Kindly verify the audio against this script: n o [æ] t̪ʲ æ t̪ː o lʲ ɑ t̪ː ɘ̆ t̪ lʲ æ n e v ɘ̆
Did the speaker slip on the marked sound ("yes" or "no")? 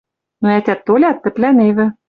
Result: no